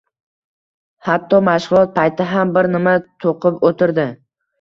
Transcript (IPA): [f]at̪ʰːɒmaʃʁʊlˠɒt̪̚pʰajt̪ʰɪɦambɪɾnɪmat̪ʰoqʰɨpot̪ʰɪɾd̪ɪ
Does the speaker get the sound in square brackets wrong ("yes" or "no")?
yes